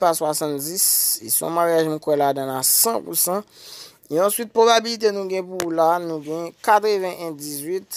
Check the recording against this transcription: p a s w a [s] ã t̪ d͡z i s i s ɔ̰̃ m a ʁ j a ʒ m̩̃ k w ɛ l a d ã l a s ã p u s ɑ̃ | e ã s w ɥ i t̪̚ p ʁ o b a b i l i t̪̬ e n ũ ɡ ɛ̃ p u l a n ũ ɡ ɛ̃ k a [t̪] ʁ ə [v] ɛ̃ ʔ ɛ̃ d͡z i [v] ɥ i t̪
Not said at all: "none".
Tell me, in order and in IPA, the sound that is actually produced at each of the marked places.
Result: s, t̪, v, z

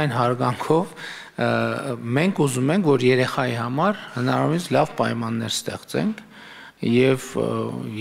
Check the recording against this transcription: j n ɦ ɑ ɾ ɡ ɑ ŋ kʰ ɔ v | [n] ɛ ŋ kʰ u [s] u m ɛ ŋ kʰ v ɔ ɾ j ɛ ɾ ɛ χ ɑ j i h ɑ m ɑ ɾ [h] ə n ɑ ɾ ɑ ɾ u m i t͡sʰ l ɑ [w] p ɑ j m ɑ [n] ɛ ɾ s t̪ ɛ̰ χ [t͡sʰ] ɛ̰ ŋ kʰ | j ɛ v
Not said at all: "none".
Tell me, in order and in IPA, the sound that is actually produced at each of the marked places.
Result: m, z, h, v, nː, t͡s

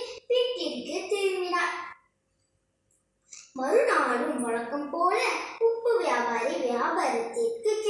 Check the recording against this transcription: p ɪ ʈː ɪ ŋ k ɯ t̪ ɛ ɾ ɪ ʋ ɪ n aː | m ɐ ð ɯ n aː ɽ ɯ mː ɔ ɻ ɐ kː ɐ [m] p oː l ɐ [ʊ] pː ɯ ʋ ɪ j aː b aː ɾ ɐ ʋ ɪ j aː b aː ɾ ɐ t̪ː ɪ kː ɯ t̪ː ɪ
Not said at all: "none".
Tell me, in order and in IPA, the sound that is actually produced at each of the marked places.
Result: m, ʊ

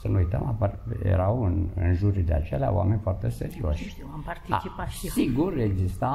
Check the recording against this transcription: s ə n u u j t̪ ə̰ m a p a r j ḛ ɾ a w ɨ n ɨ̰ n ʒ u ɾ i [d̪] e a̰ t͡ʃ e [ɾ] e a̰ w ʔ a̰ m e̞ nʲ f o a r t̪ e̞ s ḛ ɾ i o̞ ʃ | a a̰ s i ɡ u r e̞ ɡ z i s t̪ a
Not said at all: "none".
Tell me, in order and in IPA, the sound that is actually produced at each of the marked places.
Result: d̪, l

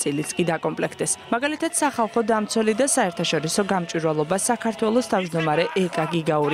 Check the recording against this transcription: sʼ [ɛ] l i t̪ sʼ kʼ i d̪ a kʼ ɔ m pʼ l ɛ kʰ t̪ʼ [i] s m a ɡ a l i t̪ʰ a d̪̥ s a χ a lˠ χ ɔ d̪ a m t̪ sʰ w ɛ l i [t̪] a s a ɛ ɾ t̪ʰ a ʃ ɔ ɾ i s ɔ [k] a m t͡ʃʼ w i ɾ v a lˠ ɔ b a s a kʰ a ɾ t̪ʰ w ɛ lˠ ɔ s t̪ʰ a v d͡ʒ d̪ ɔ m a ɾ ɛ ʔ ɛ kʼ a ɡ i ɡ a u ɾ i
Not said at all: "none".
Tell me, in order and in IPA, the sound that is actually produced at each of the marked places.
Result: i, ɛ, d̪, ɡ

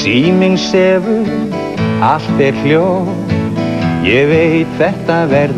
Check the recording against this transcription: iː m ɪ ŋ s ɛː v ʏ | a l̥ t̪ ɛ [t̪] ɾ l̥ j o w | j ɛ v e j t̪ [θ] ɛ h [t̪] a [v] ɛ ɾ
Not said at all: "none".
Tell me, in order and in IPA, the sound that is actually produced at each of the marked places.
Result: none, θ, t̪, v

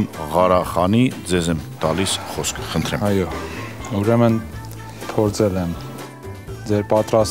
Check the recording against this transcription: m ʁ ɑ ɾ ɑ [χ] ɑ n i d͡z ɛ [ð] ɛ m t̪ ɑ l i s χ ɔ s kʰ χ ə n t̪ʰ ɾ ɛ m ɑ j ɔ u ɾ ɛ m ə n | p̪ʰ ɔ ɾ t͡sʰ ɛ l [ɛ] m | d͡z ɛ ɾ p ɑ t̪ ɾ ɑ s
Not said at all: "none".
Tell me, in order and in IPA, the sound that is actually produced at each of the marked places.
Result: χ, z, ɛ

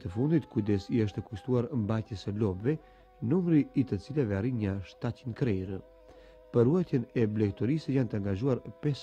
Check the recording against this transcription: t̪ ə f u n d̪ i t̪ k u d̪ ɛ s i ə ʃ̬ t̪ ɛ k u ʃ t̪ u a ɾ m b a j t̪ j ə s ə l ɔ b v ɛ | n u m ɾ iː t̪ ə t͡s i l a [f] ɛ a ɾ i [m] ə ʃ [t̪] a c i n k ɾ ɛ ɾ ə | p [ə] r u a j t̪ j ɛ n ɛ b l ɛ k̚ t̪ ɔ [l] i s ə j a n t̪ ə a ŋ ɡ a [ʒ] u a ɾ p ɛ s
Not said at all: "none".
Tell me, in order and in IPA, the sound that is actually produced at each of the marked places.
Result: v, ɲ, t̪, ə, ɾ, ʒ

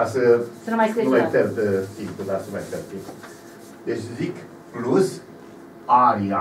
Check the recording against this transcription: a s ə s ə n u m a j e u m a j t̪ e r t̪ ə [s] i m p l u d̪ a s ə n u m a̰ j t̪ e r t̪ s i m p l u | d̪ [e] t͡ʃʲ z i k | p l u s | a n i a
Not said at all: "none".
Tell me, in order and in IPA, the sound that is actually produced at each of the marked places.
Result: s, e

